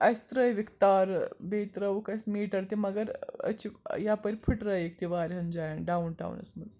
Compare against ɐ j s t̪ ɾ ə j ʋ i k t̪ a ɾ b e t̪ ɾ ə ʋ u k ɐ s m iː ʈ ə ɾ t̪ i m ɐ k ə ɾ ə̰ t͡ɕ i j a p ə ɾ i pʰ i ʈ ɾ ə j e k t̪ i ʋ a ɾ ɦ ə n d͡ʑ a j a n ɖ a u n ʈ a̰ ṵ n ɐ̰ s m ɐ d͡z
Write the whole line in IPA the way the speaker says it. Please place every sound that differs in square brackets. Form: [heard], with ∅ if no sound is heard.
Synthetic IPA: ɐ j s t̪ ɾ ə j ʋ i k t̪ a ɾ b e t̪ ɾ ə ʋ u k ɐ s m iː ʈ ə ɾ t̪ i m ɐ [ɡ] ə ɾ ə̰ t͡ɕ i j a p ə ɾ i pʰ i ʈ ɾ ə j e k t̪ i ʋ a ɾ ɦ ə n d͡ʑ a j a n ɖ a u n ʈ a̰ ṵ n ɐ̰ s m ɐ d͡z

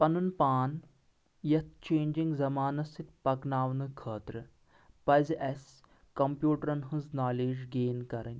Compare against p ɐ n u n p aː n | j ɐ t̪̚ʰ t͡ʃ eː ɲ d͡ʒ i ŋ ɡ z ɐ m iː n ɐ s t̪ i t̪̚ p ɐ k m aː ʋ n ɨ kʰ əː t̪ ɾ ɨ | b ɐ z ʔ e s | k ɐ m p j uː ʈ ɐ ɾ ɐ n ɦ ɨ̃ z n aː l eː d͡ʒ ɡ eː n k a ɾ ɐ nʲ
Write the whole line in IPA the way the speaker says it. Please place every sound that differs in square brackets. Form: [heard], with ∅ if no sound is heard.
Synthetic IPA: p ɐ n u n p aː n | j ɐ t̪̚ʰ t͡ʃ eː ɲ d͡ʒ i ŋ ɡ z ɐ m [aː] n ɐ s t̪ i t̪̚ p ɐ k [n] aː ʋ n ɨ kʰ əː t̪ ɾ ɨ | [p] ɐ z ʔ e s | k ɐ m p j uː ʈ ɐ ɾ ɐ n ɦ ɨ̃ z n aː l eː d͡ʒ ɡ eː n k [ɐ] ɾ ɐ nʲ

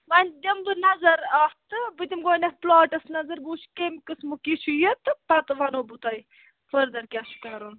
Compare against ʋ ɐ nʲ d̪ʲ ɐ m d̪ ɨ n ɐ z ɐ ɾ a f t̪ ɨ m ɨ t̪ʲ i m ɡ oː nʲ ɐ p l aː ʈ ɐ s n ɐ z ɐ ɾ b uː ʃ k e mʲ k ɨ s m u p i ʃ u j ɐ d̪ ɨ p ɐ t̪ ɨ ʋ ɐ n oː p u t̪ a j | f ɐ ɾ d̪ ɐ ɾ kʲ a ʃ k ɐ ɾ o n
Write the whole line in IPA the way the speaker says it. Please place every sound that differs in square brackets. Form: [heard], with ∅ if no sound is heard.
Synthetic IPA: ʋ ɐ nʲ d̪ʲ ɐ m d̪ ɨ n ɐ z ɐ ɾ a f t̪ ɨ [b] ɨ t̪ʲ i m ɡ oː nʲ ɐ p l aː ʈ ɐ s n ɐ z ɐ ɾ b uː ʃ k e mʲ k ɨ s m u [k] i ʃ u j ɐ [t̪] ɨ p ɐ t̪ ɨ ʋ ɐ n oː [b] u t̪ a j | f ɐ ɾ d̪ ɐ ɾ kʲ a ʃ k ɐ ɾ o n

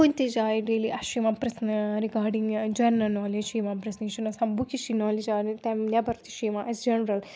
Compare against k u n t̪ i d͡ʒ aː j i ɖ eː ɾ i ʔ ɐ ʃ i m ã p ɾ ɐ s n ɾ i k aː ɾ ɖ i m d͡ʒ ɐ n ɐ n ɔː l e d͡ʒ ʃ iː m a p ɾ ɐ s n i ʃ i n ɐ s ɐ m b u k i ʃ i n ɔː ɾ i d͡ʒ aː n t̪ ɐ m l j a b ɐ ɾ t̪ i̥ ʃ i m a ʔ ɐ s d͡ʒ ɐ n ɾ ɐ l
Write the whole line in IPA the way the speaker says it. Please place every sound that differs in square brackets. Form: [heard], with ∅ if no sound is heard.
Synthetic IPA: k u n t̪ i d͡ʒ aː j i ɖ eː [l] i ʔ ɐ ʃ i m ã p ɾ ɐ s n ɾ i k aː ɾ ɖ i [ŋ] d͡ʒ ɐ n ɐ n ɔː l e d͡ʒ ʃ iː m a p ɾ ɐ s n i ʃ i n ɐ s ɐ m b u k i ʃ i n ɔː [l] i d͡ʒ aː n t̪ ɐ m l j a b ɐ ɾ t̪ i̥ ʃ i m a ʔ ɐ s d͡ʒ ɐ n ɾ ɐ l

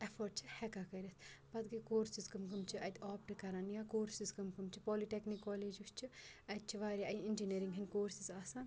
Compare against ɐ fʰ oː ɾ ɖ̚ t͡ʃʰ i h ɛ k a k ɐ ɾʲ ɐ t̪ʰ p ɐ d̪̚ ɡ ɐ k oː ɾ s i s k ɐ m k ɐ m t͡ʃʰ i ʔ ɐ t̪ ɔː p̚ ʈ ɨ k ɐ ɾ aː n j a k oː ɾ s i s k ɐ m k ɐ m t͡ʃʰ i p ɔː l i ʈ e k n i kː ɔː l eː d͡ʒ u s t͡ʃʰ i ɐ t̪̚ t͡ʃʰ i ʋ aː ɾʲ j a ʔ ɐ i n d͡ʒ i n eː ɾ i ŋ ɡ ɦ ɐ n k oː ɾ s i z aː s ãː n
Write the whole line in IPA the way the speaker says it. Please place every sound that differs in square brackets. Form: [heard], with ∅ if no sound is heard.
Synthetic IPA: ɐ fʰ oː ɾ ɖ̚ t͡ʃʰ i h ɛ k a k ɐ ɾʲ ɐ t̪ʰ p ɐ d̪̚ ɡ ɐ k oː ɾ s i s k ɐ m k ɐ m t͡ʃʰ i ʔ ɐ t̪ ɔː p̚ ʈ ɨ k ɐ ɾ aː n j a k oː ɾ s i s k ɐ m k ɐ m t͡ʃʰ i p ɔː l i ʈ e k n i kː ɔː l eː d͡ʒ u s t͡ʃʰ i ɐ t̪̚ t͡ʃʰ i ʋ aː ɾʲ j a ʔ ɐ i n d͡ʒ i n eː ɾ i ŋ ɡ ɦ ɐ n k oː ɾ s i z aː s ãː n

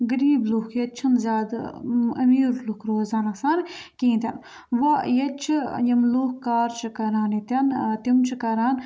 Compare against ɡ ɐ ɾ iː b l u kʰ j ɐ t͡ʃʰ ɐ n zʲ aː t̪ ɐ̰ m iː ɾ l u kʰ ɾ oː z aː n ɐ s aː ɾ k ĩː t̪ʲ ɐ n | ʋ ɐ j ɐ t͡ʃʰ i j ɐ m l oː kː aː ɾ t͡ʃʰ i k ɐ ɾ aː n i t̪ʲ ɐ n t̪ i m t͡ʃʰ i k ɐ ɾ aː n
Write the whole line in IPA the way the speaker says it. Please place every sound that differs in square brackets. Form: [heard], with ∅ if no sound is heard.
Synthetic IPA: ɡ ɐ ɾ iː b l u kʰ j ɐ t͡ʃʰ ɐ n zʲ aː [d̪] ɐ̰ m iː ɾ l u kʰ ɾ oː z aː n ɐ s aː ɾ k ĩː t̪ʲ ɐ n | ʋ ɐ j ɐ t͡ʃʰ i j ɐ m l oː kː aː ɾ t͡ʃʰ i k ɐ ɾ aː n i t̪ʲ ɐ n t̪ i m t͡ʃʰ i k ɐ ɾ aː n

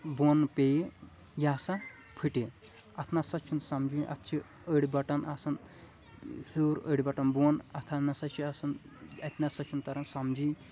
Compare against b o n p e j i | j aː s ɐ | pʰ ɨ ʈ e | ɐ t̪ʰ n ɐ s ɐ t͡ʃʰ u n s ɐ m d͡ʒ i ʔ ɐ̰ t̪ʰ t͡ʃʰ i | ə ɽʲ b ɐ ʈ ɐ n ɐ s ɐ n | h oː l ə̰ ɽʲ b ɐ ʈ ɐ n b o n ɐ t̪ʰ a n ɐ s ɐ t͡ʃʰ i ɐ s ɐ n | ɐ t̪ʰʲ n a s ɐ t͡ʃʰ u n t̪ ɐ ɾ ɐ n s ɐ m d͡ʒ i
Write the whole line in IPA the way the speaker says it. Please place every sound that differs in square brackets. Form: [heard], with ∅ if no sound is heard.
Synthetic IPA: b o n p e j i | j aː s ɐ | pʰ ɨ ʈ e | ɐ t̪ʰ n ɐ s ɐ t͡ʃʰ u n s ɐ m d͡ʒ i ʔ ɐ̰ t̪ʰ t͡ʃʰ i | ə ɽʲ b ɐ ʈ ɐ n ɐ s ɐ n | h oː [ɾ] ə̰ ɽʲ b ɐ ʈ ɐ n b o n ɐ t̪ʰ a n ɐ s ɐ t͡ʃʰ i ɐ s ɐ n | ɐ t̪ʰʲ n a s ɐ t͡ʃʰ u n t̪ ɐ ɾ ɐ n s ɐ m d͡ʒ i

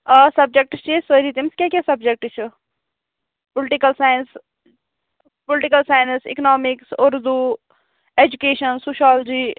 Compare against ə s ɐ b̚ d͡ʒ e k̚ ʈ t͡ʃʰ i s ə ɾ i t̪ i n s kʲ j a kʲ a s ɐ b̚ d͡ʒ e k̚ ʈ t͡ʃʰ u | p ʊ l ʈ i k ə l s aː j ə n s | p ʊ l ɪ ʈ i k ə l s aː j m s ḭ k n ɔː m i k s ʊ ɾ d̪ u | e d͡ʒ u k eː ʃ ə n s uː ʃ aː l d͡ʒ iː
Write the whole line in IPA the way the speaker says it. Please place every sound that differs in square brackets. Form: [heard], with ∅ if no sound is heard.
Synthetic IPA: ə s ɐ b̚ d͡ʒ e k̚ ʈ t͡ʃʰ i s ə ɾ i t̪ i [m] s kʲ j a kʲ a s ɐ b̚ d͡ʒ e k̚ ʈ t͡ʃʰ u | p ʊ l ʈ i k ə l s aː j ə n s | p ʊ l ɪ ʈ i k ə l s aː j [n] s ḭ k n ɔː m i k s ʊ ɾ d̪ u | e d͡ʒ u k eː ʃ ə n s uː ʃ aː l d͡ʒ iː

